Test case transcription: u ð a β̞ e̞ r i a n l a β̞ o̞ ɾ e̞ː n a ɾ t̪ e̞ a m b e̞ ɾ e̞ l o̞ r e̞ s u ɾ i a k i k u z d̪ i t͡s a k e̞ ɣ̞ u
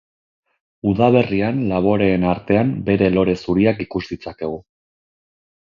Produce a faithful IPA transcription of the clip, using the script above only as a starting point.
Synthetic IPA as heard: u ð a β̞ e̞ r i a n l a β̞ o̞ ɾ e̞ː n a ɾ t̪ e̞ a m b e̞ ɾ e̞ l o̞ ɾ e̞ s u ɾ i a k i k u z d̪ i t͡s a k e̞ ɣ̞ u